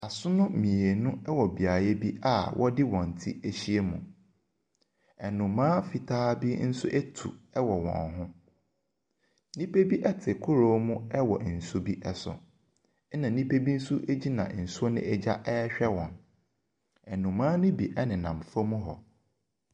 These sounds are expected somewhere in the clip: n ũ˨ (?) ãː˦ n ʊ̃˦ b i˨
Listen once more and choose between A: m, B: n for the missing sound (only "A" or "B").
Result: A